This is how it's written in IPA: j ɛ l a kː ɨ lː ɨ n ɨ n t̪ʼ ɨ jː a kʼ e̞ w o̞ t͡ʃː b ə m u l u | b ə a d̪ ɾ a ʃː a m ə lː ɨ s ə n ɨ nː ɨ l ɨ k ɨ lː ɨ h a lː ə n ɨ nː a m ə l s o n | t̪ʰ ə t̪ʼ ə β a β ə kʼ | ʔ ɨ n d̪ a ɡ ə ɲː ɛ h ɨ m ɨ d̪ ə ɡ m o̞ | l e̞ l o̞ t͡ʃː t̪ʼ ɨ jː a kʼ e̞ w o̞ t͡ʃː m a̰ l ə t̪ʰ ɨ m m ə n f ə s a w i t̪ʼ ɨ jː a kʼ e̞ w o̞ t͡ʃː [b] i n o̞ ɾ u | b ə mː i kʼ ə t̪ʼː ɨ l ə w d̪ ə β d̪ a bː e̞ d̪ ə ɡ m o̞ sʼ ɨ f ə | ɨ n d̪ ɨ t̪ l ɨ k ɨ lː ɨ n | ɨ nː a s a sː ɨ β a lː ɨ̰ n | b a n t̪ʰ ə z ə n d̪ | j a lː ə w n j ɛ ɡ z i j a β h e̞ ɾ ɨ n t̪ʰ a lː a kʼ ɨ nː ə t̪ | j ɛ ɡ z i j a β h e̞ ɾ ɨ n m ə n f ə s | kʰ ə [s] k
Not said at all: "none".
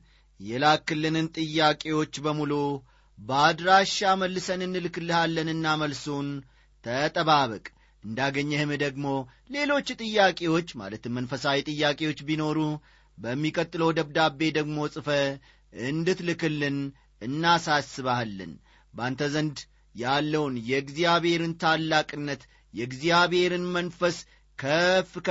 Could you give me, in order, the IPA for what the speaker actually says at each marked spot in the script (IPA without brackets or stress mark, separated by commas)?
b, f